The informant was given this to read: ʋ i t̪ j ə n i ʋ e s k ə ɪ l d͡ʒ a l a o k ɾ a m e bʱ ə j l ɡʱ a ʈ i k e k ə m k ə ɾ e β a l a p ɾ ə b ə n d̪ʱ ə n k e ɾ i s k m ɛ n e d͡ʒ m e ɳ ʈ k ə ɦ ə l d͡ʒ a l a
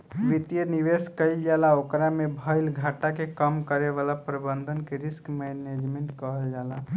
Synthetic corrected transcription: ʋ i t̪ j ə n i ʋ e s k ə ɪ l d͡ʒ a l a o k ɾ a m e bʱ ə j l ɡʱ a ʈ a k e k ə m k ə ɾ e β a l a p ɾ ə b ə n d̪ʱ ə n k e ɾ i s k m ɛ n e d͡ʒ m e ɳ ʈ k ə ɦ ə l d͡ʒ a l a

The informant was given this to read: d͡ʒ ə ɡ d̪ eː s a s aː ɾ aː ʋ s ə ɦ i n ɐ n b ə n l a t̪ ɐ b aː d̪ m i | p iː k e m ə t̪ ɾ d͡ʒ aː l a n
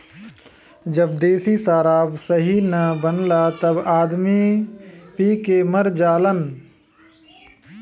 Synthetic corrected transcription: d͡ʒ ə b d̪ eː s i s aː ɾ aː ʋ s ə ɦ i n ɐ b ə n l a t̪ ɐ b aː d̪ m i | p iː k e m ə ɾ d͡ʒ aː l ə n

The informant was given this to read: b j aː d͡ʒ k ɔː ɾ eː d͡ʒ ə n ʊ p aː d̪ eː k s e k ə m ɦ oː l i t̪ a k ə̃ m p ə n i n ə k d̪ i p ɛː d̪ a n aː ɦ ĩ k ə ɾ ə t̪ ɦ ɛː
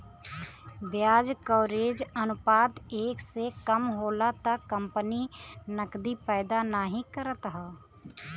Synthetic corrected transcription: b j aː d͡ʒ k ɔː ɾ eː d͡ʒ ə n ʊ p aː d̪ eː k s e k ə m ɦ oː l a t̪ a k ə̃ m p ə n i n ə k d̪ i p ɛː d̪ a n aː ɦ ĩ k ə ɾ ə t̪ ɦ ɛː

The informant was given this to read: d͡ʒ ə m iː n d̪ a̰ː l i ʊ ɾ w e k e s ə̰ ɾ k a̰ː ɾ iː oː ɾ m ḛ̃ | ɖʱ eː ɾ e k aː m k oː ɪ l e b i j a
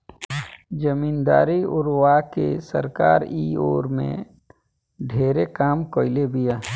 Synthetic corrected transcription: d͡ʒ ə m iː n d̪ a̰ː ɾ i ʊ ɾ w a k e s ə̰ ɾ k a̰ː ɾ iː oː ɾ m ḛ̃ | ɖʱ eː ɾ e k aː m k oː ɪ l e b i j a

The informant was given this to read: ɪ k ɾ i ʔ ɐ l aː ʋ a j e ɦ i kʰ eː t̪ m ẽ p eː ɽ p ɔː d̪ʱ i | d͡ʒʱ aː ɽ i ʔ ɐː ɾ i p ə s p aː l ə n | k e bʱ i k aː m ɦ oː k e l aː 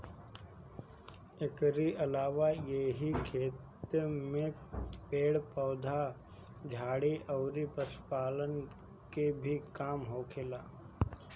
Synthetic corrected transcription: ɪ k ɾ i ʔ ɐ l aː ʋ a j e ɦ i kʰ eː t̪ m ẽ p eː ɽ p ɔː d̪ʱ a | d͡ʒʱ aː ɽ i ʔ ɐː ɾ i p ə s p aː l ə n | k e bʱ i k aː m ɦ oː kʰ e l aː

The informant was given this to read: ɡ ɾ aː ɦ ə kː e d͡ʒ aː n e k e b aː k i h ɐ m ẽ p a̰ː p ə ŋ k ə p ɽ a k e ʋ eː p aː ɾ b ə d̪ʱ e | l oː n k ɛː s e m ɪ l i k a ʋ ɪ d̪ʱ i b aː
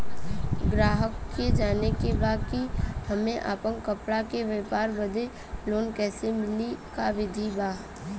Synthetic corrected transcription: ɡ ɾ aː ɦ ə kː e d͡ʒ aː n e k e b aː k i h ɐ m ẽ ʔ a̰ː p ə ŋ k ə p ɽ a k e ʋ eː p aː ɾ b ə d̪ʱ e | l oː n k ɛː s e m ɪ l i k a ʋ ɪ d̪ʱ i b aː

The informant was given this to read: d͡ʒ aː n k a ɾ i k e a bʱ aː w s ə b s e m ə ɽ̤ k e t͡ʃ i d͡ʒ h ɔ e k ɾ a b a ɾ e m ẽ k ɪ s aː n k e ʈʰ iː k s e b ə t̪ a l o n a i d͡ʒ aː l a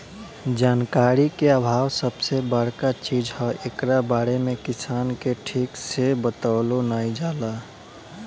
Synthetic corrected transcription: d͡ʒ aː n k a ɾ i k e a bʱ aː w s ə b s e b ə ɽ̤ k a t͡ʃ i d͡ʒ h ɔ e k ɾ a b a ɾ e m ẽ k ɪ s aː n k e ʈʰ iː k s e b ə t̪ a l o n a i d͡ʒ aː l a

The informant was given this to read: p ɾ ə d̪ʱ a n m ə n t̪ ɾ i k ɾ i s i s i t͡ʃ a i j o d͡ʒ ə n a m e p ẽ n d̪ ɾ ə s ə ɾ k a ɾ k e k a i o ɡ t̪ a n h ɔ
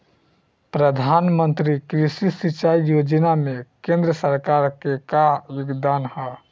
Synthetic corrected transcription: p ɾ ə d̪ʱ a n m ə n t̪ ɾ i k ɾ i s i s i t͡ʃ a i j o d͡ʒ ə n a m e k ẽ n d̪ ɾ ə s ə ɾ k a ɾ k e k a j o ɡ d̪ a n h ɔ

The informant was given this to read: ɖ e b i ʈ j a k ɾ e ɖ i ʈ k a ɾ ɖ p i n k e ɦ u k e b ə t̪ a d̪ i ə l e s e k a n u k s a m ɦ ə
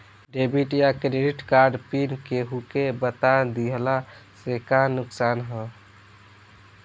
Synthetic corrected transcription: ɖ e b i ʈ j a k ɾ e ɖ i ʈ k a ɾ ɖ p i n k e ɦ u k e b ə t̪ a d̪ i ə l a s e k a n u k s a n ɦ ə

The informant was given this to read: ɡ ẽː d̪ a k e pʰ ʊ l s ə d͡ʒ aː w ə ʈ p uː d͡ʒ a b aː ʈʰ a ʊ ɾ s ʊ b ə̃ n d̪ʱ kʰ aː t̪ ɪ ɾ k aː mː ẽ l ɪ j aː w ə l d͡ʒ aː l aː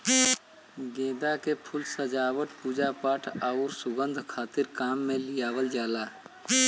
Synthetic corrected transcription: ɡ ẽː d̪ a k e pʰ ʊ l s ə d͡ʒ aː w ə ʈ p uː d͡ʒ a p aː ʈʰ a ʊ ɾ s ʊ ɡ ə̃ n d̪ʱ kʰ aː t̪ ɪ ɾ k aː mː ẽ l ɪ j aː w ə l d͡ʒ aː l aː

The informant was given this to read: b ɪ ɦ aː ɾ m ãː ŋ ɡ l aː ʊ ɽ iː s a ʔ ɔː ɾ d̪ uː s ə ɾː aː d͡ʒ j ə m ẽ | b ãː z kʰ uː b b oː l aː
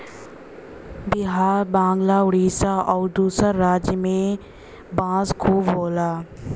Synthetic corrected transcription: b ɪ ɦ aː ɾ b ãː ŋ ɡ l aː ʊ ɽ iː s a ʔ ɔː ɾ d̪ uː s ə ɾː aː d͡ʒ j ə m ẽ | b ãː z kʰ uː b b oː l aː

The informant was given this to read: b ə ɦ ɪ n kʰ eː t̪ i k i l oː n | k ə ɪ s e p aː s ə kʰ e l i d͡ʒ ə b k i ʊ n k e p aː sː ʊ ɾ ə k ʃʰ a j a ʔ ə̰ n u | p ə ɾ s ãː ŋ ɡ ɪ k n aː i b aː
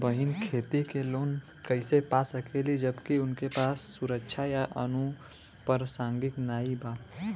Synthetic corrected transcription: b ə ɦ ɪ n kʰ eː t̪ i k e l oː n | k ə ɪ s e p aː s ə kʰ e l i d͡ʒ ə b k i ʊ n k e p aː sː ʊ ɾ ə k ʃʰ a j a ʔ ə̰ n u | p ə ɾ s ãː ŋ ɡ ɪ k n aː i b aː

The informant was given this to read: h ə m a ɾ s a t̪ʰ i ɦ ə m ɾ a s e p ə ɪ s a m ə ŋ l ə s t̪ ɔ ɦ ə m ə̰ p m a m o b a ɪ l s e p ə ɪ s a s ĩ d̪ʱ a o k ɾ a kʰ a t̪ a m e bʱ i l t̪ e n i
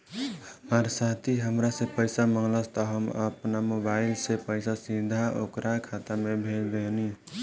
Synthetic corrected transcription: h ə m a ɾ s a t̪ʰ i ɦ ə m ɾ a s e p ə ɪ s a m ə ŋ l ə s t̪ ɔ ɦ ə m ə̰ p n a m o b a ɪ l s e p ə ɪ s a s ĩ d̪ʱ a o k ɾ a kʰ a t̪ a m e bʱ e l d̪ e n i

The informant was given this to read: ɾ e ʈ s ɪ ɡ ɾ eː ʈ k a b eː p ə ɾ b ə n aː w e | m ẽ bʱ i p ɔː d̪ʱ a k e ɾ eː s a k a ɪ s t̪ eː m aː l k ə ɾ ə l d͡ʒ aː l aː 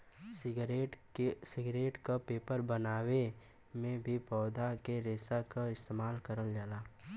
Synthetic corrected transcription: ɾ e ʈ s ɪ ɡ ɾ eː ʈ k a p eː p ə ɾ b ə n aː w e | m ẽ bʱ i p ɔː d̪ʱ a k e ɾ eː s a k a ɪ s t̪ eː m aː l k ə ɾ ə l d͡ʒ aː l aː

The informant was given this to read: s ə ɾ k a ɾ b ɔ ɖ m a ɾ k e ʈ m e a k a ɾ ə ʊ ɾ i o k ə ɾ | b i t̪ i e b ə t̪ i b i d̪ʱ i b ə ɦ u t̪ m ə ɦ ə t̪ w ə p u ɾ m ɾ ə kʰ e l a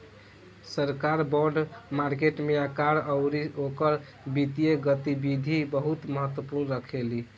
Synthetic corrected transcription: s ə ɾ k a ɾ b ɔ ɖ m a ɾ k e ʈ m e a k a ɾ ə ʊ ɾ i o k ə ɾ | b i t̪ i e ɡ ə t̪ i b i d̪ʱ i b ə ɦ u t̪ m ə ɦ ə t̪ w ə p u ɾ n ɾ ə kʰ e l i

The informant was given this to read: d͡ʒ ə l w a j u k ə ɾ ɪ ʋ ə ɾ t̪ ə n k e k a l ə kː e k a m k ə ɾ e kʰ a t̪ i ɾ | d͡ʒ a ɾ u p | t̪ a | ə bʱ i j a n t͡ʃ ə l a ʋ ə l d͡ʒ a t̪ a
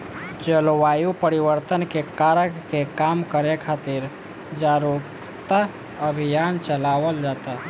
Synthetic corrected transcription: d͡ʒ ə l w a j u p ə ɾ i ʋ ə ɾ t̪ ə n k e k a ɾ ə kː e k a m k ə ɾ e kʰ a t̪ i ɾ | d͡ʒ a ɾ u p | t̪ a | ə bʱ i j a n t͡ʃ ə l a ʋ ə l d͡ʒ a t̪ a

